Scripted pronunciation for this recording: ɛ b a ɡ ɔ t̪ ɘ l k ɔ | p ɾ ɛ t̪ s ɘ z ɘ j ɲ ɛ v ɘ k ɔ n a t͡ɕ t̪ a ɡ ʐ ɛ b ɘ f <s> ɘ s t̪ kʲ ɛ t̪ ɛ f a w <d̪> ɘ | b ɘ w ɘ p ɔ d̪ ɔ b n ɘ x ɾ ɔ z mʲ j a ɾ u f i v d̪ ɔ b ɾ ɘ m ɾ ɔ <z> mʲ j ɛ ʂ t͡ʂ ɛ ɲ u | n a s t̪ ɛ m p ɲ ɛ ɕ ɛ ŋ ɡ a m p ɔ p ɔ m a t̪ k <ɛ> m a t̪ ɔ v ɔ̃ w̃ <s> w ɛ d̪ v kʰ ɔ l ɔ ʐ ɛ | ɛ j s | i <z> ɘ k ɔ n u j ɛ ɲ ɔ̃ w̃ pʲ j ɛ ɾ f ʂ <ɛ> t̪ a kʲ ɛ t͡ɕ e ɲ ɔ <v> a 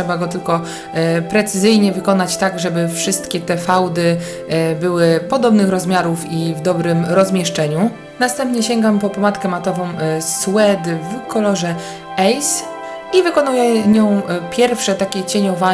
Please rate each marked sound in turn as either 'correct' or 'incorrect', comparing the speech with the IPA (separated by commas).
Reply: incorrect, correct, correct, correct, correct, incorrect, correct, correct